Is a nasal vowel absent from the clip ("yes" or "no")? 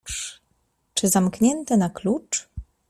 yes